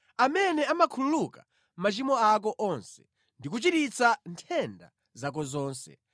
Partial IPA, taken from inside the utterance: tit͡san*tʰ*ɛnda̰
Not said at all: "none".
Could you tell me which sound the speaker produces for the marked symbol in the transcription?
tʰ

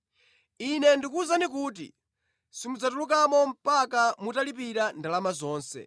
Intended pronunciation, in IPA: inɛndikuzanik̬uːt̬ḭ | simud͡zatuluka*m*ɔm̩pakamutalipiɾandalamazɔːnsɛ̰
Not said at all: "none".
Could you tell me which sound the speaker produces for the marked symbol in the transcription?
m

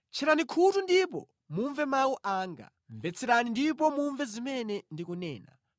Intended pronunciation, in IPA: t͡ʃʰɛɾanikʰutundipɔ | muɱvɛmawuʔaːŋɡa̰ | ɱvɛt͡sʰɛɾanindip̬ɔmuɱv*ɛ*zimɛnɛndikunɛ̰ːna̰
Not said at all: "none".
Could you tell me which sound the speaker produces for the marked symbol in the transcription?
ɛ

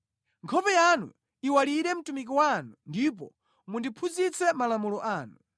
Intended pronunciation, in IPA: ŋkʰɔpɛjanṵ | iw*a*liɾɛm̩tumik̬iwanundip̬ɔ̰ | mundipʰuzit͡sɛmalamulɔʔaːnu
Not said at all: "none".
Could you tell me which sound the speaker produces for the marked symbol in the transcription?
a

